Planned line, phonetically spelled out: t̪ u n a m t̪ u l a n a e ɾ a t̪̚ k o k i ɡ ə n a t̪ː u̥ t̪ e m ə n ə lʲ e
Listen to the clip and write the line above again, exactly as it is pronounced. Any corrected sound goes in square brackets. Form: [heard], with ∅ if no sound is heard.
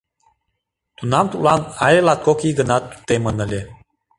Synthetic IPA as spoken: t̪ u n a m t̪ u l a n a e [l] a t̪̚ k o k i ɡ ə n a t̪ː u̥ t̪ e m ə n ə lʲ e